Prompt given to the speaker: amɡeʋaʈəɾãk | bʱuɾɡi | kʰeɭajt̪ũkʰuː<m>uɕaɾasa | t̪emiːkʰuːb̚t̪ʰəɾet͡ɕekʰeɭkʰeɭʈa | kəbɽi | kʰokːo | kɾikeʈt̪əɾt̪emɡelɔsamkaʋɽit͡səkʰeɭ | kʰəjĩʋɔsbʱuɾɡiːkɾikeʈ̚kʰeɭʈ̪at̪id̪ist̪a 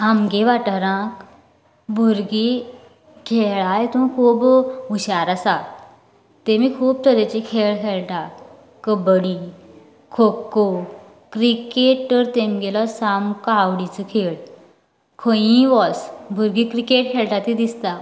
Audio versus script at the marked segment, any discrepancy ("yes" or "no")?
yes